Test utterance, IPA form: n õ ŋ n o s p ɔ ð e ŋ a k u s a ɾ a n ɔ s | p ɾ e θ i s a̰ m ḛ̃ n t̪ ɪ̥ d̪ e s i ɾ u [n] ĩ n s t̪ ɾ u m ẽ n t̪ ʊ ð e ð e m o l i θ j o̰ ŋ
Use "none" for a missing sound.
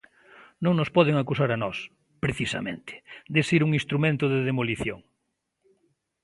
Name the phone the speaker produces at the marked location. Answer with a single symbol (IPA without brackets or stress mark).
ŋ